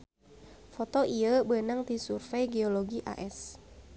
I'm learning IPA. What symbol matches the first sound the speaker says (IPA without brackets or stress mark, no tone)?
f